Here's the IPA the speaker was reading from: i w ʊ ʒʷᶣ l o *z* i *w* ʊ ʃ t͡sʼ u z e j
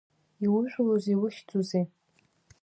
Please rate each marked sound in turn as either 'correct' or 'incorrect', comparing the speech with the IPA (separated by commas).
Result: correct, correct